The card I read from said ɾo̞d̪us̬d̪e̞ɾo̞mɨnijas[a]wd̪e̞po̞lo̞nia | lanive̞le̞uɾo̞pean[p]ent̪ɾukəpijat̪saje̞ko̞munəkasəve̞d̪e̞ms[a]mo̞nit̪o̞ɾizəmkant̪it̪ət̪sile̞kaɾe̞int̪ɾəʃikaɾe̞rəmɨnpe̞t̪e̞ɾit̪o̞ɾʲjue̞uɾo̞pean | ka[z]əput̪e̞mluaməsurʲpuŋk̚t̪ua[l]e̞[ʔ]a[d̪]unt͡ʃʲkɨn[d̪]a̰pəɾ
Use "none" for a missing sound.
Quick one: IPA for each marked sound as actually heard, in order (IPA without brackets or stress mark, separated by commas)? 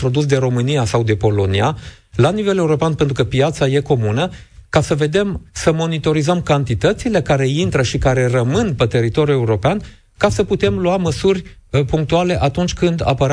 a, p, ə, s, l, ʔ, t̪, d̪